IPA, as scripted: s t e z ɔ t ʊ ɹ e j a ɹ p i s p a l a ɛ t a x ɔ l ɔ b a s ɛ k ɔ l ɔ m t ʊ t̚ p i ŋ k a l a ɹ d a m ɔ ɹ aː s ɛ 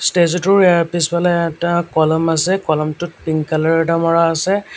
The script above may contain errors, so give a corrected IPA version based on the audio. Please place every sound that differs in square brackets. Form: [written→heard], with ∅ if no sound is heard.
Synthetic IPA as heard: s t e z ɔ t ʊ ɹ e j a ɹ p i s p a l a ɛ t a [x→k] ɔ l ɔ [b→m] a s ɛ k ɔ l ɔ m t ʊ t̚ p i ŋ k a l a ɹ d a m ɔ ɹ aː s ɛ